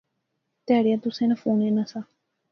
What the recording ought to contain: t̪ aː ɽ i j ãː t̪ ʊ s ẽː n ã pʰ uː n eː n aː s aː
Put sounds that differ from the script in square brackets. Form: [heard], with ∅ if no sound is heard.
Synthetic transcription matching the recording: t̪ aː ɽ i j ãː t̪ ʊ s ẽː n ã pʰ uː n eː n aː s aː